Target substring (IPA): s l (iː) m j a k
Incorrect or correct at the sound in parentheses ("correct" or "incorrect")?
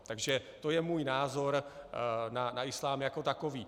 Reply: incorrect